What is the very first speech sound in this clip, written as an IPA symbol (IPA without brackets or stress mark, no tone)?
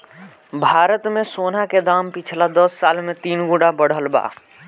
bʱ